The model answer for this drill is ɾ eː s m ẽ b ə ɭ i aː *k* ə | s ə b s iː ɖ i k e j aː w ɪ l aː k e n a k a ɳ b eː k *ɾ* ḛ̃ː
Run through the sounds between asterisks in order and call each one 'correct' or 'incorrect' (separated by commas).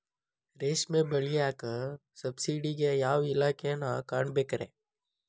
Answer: correct, correct